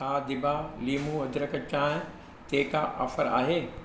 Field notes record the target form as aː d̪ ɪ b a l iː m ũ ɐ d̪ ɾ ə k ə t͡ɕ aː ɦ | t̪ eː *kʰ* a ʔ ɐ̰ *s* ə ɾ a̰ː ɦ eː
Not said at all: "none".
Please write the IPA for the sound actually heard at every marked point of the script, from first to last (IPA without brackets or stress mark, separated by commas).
k, f